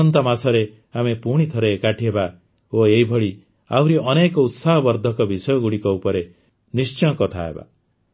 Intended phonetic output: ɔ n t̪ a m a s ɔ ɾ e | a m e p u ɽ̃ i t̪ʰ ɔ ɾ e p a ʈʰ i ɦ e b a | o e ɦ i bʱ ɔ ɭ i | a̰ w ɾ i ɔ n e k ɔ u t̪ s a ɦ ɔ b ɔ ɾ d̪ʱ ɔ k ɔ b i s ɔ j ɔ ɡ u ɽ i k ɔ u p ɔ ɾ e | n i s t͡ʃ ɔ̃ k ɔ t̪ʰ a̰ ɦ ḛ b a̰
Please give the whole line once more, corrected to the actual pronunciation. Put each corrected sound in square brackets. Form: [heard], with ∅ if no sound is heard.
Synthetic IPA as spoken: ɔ n t̪ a m a s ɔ ɾ e | a m e p u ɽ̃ i t̪ʰ ɔ ɾ e [k] a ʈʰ i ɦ e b a | o e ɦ i bʱ ɔ ɭ i | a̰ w ɾ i ɔ n e k ɔ u t̪ s a ɦ ɔ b ɔ ɾ d̪ʱ ɔ k ɔ b i s ɔ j ɔ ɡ u ɽ i k ɔ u p ɔ ɾ e | n i s t͡ʃ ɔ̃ k ɔ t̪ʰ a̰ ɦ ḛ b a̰

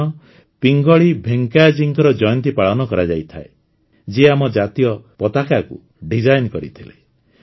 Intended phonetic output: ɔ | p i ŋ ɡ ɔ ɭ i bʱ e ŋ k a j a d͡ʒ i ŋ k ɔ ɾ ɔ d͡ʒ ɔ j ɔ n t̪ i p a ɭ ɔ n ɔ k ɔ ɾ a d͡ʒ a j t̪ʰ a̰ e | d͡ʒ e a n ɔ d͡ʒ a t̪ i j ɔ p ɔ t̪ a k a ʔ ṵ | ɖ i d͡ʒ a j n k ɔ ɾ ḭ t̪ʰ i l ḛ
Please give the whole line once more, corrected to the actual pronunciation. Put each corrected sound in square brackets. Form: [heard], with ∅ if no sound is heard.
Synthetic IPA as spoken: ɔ | p i ŋ ɡ ɔ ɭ i bʱ e ŋ k a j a d͡ʒ i ŋ k ɔ ɾ ɔ d͡ʒ ɔ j ɔ n t̪ i p a ɭ ɔ n ɔ k ɔ ɾ a d͡ʒ a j t̪ʰ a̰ e | d͡ʒ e a [m] ɔ d͡ʒ a t̪ i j ɔ p ɔ t̪ a k a [k] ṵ | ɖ i d͡ʒ a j n k ɔ ɾ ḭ t̪ʰ i l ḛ

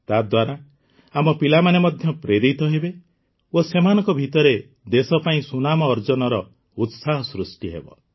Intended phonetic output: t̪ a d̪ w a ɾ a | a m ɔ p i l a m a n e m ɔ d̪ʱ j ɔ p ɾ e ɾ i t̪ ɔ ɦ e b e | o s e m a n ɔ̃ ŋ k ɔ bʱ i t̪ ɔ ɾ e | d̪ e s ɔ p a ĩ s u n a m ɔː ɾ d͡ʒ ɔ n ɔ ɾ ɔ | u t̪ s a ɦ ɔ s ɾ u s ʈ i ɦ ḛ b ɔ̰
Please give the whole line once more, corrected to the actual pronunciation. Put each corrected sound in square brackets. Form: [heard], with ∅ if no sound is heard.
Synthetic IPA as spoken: t̪ a d̪ w a ɾ a | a m ɔ p i l a m a n e m ɔ d̪ʱ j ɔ p ɾ e ɾ i t̪ ɔ ɦ e b e | o s e m a n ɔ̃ ŋ k ɔ bʱ i t̪ ɔ ɾ e | d̪ e s ɔ p a ĩ s u n a m ɔː ɾ d͡ʒ ɔ n ɔ ɾ ɔ | u t̪ s a ɦ ɔ s ɾ u s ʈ i ɦ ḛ b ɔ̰

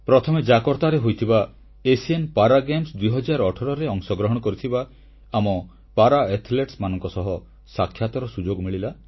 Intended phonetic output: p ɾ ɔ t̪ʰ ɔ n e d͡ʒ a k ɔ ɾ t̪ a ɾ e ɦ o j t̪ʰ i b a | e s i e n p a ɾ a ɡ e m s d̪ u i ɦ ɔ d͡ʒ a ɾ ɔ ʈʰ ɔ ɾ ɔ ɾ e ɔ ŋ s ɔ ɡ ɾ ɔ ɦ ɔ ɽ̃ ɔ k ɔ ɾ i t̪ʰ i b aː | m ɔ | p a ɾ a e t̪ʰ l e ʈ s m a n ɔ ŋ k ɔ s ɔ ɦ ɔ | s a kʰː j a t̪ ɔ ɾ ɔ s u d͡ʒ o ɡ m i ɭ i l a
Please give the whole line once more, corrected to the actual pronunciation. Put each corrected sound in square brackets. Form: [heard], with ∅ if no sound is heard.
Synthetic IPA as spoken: p ɾ ɔ t̪ʰ ɔ [m] e d͡ʒ a k ɔ ɾ t̪ a ɾ e ɦ o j t̪ʰ i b a | e s i e n p a ɾ a ɡ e m s d̪ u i ɦ ɔ d͡ʒ a ɾ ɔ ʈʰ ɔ ɾ ɔ ɾ e ɔ ŋ s ɔ ɡ ɾ ɔ ɦ ɔ ɽ̃ ɔ k ɔ ɾ i t̪ʰ i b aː | m ɔ | p a ɾ a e t̪ʰ l e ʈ s m a n ɔ ŋ k ɔ s ɔ ɦ ɔ | s a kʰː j a t̪ ɔ ɾ ɔ s u d͡ʒ o ɡ m i ɭ i l a

